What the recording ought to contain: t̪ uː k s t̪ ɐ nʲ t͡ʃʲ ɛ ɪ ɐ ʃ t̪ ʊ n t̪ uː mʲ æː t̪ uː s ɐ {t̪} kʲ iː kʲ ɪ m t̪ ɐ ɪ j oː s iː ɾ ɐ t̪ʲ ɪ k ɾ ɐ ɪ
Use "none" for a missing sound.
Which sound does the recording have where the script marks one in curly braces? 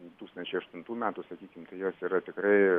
none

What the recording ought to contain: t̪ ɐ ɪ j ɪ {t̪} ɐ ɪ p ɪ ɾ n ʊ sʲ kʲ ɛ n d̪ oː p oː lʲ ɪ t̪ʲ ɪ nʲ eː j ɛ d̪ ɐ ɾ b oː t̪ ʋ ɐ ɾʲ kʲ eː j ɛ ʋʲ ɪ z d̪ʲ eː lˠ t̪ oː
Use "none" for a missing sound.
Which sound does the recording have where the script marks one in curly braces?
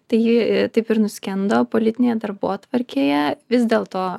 t̪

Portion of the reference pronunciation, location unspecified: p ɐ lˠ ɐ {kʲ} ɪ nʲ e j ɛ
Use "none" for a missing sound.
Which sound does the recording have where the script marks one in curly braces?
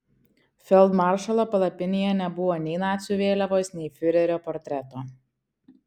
pʲ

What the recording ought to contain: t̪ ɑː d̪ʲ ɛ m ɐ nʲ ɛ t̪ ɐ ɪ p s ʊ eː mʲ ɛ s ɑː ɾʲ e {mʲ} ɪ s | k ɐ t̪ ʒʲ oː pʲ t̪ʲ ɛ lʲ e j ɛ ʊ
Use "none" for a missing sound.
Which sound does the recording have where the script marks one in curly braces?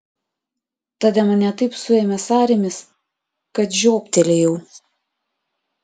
mʲ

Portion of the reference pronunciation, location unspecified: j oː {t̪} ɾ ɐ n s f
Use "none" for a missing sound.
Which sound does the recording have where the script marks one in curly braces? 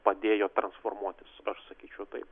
t̪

